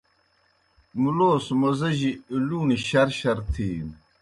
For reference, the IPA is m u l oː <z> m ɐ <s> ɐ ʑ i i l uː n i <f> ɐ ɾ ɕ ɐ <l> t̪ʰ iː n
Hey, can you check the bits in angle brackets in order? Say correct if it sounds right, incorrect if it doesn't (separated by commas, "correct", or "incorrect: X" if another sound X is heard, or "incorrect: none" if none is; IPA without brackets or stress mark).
incorrect: s, incorrect: z, incorrect: ɕ, incorrect: ɾ